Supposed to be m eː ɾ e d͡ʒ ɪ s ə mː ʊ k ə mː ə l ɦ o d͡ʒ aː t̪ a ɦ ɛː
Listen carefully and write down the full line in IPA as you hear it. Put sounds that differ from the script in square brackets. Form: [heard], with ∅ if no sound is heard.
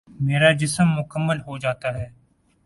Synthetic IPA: m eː ɾ [a] d͡ʒ ɪ s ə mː ʊ k ə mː ə l ɦ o d͡ʒ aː t̪ a ɦ ɛː

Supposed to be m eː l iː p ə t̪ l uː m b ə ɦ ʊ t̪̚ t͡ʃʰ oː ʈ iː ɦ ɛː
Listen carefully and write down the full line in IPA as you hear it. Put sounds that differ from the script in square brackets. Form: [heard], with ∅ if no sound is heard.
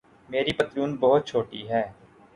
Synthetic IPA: m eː [ɾ] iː p ə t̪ [ɾ] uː [n] b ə ɦ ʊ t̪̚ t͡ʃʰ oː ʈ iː ɦ ɛː

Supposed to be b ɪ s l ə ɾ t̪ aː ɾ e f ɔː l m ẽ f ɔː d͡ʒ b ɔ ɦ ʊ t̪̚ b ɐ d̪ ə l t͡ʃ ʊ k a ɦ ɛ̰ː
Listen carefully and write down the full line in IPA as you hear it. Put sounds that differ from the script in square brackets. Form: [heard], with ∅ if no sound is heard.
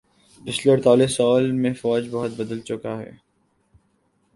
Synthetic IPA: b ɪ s l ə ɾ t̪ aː [l] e [s] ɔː l m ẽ f ɔː d͡ʒ b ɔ ɦ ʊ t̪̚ b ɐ d̪ ə l t͡ʃ ʊ k a ɦ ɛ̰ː

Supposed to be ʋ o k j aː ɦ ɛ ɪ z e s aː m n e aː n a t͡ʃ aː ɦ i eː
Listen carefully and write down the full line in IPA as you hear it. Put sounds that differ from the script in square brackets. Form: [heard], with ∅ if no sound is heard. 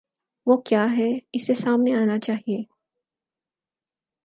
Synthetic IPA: ʋ o k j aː ɦ ɛ ɪ [s] e s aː m n e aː n a t͡ʃ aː ɦ i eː

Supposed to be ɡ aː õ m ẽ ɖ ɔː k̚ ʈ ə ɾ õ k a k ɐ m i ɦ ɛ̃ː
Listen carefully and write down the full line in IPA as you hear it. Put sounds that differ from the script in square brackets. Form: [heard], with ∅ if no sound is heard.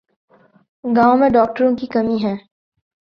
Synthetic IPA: ɡ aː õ m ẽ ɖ ɔː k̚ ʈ ə ɾ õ k [i] k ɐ m i ɦ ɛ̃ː

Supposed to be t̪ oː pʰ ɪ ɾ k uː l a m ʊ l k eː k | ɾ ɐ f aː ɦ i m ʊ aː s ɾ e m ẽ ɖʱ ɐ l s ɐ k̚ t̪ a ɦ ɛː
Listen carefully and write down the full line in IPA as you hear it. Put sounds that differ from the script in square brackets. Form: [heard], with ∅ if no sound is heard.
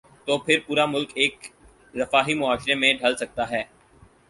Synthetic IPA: t̪ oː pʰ ɪ ɾ [p] uː [ɾ] a m ʊ l k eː k | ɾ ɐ f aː ɦ i m ʊ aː [ʃ] ɾ e m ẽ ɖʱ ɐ l s ɐ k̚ t̪ a ɦ ɛː

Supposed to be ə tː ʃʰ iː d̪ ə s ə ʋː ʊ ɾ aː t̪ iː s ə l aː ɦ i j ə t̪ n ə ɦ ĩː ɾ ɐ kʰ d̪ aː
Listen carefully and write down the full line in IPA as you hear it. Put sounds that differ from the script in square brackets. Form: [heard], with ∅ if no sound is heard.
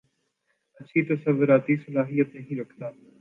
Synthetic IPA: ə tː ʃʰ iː [t̪] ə s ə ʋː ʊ ɾ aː t̪ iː s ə l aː ɦ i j ə t̪ n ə ɦ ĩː ɾ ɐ kʰ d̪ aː

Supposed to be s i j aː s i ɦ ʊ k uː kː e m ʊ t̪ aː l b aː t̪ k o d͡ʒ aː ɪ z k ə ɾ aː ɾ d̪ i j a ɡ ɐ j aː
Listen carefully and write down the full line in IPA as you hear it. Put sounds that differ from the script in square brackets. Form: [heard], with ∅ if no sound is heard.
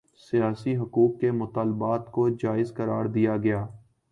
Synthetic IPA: s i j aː s i ɦ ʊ k uː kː e m ʊ t̪ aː l b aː t̪ k o d͡ʒ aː ɪ z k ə ɾ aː ɾ d̪ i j a ɡ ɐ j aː

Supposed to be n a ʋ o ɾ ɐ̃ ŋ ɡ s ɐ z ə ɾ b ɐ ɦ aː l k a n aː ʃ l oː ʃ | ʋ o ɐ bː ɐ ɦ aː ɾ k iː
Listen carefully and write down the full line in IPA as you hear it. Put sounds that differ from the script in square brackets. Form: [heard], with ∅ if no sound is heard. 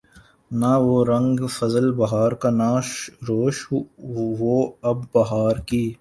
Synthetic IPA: n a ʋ o ɾ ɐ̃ ŋ ɡ [f] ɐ z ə [l] b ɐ ɦ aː [ɾ] k a n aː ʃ [ɾ] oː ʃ | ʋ o ɐ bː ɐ ɦ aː ɾ k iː

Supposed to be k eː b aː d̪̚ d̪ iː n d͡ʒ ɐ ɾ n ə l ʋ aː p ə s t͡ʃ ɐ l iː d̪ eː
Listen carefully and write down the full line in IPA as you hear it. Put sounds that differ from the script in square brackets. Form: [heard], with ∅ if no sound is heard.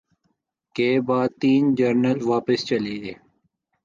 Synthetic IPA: k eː b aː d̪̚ [t̪] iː n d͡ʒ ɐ ɾ n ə l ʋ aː p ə s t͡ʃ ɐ l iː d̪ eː

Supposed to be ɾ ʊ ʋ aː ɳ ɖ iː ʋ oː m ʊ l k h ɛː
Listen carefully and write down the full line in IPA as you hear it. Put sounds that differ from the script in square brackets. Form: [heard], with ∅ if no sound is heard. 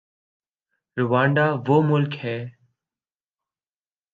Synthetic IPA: ɾ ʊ ʋ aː ɳ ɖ [aː] ʋ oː m ʊ l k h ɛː

